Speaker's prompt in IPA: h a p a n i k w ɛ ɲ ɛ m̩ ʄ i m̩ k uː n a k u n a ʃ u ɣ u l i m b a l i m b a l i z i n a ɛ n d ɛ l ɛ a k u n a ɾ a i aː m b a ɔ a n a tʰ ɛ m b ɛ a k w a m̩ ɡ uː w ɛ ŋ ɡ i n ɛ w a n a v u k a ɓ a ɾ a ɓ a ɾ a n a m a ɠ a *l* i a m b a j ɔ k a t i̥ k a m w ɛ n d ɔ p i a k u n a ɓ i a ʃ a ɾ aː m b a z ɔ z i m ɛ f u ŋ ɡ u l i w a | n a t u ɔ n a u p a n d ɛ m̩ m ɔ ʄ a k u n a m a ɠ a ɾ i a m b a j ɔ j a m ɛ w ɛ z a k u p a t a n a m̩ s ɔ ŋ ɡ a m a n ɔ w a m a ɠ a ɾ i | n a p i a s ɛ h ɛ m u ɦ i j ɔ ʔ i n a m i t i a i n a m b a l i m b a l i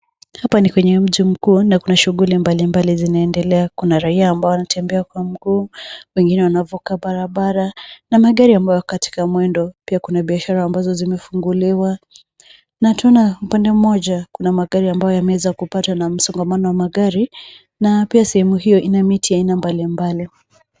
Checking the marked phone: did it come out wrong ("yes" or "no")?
yes